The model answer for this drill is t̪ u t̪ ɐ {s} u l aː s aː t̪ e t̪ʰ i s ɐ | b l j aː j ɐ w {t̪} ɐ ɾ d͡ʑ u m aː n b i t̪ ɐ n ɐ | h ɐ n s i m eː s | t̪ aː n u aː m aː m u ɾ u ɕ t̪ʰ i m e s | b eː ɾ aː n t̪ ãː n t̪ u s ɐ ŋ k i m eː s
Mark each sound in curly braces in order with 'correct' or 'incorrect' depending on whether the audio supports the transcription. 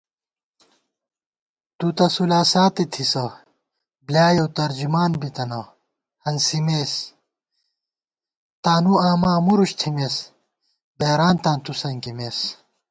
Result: correct, correct

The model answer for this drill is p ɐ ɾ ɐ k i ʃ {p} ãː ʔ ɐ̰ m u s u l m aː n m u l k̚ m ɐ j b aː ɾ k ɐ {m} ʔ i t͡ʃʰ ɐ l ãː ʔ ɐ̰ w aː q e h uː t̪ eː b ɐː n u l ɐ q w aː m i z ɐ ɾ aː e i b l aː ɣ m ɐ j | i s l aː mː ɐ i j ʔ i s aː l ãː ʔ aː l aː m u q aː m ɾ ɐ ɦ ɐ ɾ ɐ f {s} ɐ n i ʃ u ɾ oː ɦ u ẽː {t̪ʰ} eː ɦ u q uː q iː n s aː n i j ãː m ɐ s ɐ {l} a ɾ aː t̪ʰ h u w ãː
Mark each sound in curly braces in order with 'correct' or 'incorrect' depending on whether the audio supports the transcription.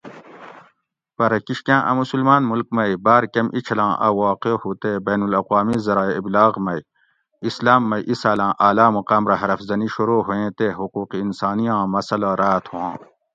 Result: incorrect, correct, incorrect, incorrect, correct

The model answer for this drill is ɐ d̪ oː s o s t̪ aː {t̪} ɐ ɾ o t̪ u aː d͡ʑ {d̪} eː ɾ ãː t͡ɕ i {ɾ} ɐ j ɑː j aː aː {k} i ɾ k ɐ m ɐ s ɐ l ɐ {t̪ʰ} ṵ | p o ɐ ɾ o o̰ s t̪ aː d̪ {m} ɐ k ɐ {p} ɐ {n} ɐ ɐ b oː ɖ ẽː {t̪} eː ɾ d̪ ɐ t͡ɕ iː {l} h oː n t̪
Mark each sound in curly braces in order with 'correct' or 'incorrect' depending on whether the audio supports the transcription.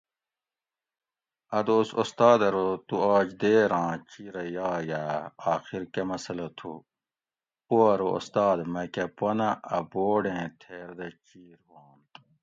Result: incorrect, correct, correct, incorrect, correct, correct, correct, correct, incorrect, incorrect

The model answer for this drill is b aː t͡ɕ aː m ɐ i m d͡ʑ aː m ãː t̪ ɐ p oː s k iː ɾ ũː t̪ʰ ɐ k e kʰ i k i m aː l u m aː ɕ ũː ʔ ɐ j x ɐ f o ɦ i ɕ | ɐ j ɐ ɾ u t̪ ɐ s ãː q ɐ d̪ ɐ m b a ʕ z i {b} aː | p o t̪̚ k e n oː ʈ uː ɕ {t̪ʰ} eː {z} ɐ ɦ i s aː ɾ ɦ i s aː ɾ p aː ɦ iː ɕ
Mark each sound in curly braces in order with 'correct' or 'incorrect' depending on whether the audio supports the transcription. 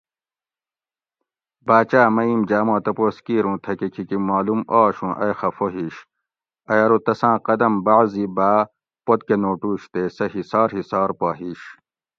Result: correct, incorrect, incorrect

